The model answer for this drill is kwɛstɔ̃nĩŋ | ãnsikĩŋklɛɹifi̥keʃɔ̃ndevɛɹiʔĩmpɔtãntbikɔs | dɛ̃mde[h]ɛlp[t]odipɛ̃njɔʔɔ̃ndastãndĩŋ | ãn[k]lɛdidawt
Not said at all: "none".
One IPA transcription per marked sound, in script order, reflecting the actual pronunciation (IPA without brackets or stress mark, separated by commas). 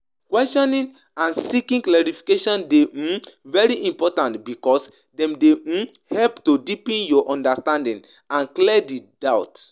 h, t, k